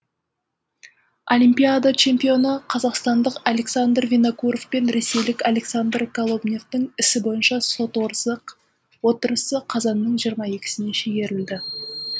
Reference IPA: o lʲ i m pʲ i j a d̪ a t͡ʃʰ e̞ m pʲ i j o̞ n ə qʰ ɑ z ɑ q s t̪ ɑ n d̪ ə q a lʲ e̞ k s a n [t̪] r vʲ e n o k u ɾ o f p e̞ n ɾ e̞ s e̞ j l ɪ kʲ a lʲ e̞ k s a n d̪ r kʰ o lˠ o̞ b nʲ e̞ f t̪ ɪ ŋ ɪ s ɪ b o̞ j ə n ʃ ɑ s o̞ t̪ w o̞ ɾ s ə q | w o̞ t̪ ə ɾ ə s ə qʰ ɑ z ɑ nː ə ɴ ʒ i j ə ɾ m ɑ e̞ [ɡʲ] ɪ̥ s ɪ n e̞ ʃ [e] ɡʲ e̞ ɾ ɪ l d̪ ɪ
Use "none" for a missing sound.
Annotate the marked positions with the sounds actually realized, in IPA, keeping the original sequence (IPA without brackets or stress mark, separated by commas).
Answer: d̪, kʲ, e